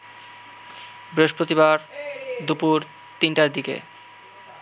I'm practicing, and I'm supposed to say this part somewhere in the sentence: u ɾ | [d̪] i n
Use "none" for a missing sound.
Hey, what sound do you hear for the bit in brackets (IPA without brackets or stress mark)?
t̪